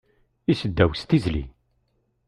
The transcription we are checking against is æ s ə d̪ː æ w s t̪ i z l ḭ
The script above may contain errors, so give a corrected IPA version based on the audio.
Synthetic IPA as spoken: i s ə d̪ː æ w s t̪ i z l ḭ